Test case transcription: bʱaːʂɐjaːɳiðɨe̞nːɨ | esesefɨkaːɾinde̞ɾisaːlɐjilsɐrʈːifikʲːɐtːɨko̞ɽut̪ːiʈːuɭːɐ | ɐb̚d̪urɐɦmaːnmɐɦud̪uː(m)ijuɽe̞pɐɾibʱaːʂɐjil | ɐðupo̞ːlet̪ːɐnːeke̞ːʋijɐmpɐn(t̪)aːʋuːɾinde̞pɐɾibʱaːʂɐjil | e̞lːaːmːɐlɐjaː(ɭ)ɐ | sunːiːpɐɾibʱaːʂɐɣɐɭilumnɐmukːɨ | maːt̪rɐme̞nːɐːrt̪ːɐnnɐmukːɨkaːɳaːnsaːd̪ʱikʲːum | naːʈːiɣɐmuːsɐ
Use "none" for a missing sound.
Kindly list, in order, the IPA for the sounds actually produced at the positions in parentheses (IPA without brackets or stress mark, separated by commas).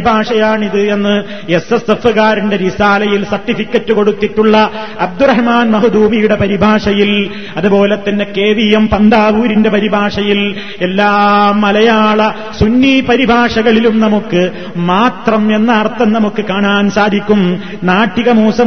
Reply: m, d̪, ɭ